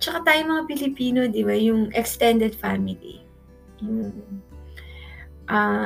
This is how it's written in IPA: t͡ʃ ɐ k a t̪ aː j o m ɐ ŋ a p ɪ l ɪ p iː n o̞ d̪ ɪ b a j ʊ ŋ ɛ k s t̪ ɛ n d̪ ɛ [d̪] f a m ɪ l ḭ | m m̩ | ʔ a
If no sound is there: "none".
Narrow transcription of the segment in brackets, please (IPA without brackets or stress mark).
d̪